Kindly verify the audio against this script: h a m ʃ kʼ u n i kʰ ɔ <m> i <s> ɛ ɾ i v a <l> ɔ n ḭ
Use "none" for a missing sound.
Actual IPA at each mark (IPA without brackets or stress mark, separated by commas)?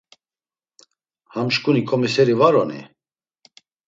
m, s, ɾ